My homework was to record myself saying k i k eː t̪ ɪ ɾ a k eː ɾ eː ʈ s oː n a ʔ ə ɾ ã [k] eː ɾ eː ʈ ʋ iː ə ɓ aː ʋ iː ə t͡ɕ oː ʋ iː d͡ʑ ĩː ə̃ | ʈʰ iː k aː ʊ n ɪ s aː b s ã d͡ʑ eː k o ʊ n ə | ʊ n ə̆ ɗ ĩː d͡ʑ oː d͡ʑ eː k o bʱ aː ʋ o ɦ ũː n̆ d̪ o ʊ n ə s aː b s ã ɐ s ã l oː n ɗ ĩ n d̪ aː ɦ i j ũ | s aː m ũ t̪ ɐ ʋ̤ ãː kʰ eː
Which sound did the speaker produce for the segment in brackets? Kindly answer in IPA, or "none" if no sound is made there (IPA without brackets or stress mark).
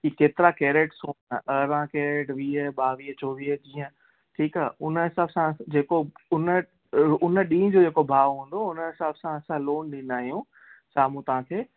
k